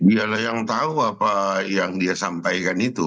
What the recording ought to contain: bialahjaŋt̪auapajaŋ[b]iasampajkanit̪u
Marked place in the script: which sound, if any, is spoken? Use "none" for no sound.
d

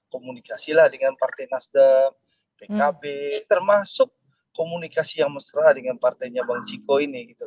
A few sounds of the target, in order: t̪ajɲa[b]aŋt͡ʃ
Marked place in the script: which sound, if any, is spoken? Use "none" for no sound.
b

